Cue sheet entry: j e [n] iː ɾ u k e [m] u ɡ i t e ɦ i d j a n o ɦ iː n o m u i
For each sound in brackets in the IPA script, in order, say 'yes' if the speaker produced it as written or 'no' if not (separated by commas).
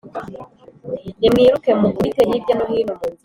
no, yes